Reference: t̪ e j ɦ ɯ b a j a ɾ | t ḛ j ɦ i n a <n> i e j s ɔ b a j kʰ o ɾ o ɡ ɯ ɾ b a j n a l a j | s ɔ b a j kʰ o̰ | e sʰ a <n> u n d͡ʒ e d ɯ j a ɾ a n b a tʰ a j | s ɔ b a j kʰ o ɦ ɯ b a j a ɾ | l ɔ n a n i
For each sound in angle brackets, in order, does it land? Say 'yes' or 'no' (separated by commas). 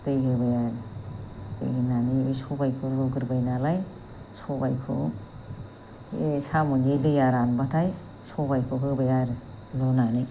yes, no